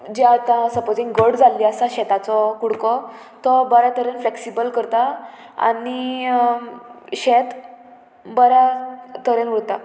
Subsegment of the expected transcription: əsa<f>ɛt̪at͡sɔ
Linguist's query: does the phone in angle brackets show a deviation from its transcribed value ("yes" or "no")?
yes